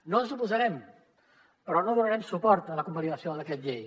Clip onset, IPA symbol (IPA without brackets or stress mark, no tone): n